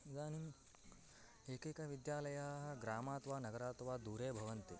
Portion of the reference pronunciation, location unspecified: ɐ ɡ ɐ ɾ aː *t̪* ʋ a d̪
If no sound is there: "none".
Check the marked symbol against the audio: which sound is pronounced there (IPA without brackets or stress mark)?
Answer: t̪